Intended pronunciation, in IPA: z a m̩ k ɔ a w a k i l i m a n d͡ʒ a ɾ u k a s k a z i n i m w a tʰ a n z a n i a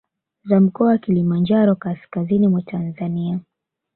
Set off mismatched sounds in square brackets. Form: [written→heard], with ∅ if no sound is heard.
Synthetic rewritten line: z a m̩ k ɔ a w a k i l i m a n d͡ʒ a ɾ [u→ɔ] k a s k a z i n i m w a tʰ a n z a n i a